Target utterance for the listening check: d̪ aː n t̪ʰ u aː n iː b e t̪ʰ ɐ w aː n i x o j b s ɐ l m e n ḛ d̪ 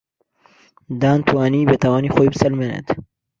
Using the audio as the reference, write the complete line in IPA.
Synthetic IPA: d̪ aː n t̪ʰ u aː n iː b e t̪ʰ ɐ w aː n i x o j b s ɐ l m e n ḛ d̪